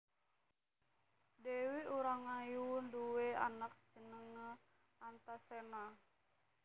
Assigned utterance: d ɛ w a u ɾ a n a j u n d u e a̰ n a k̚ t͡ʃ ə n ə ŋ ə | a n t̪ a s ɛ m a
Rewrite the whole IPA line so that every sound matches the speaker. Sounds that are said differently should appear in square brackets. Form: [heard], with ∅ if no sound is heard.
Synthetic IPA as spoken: d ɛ w [i] u ɾ a [ŋ] a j u n d u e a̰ n a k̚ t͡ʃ ə n ə ŋ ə | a n t̪ a s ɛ [n] a

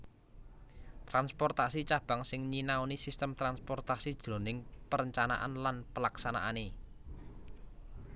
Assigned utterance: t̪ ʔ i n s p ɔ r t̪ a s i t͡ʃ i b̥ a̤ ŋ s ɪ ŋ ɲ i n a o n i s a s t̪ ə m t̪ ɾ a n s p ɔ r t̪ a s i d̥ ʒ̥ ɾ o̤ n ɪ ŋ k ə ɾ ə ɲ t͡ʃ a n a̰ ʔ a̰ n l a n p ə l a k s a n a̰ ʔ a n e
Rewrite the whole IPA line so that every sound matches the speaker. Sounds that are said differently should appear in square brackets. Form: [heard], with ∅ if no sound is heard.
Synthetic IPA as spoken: t̪ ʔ [a] n s p ɔ r t̪ a s i t͡ʃ [a] b̥ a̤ ŋ s ɪ ŋ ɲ i n a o n i s [i] s t̪ ə m t̪ ɾ a n s p ɔ r t̪ a s i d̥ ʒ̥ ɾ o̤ n ɪ ŋ [p] ə ɾ ə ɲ t͡ʃ a n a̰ ʔ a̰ n l a n p ə l a k s a n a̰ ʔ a n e

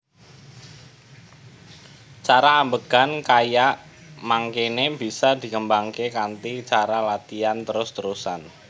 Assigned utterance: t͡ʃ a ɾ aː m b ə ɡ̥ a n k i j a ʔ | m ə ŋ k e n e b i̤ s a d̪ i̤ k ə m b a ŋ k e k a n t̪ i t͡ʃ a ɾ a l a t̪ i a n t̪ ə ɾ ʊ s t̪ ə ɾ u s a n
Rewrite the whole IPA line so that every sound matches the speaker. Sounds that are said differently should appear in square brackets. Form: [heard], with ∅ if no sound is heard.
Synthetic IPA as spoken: t͡ʃ a ɾ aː m b ə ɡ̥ a n k [a] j a ʔ | m [a] ŋ k e n e b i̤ s a d̪ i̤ k ə m b a ŋ k e k a n t̪ i t͡ʃ a ɾ a l a t̪ i a n t̪ ə ɾ ʊ s t̪ ə ɾ u s a n

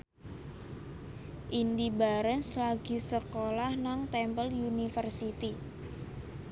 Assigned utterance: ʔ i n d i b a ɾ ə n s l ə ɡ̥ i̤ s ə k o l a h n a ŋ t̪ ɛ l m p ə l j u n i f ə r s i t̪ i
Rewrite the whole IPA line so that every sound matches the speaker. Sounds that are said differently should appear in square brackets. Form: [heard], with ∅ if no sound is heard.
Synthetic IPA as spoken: ʔ i n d i b a ɾ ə n s l [a] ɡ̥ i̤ s ə k o l a h n a ŋ t̪ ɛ [∅] m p ə l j u n i f ə r s i t̪ i

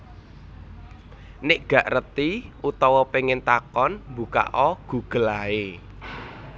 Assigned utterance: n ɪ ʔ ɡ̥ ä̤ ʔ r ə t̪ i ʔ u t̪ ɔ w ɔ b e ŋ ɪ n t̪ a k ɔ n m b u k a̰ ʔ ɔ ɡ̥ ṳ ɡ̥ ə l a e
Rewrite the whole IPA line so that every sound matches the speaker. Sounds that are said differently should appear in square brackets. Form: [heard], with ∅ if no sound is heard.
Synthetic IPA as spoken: n ɪ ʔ ɡ̥ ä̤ ʔ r ə t̪ i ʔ u t̪ ɔ w ɔ [p] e ŋ ɪ n t̪ a k ɔ n m b u k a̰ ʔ ɔ ɡ̥ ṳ ɡ̥ ə l a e

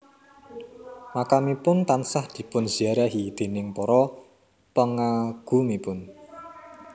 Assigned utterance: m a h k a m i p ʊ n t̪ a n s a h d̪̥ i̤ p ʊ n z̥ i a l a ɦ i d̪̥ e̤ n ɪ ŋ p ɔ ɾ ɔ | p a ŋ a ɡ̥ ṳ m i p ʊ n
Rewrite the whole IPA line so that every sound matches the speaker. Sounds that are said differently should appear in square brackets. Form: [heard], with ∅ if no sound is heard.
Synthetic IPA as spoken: m a [∅] k a m i p ʊ n t̪ a n s a h d̪̥ i̤ p ʊ n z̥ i a [ɾ] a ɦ i d̪̥ e̤ n ɪ ŋ p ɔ ɾ ɔ | p [ə] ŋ a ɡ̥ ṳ m i p ʊ n

